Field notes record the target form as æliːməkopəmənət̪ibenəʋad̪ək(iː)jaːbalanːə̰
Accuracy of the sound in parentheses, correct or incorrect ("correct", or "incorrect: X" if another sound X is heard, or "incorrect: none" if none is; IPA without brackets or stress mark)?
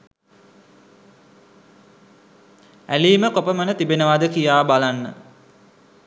incorrect: i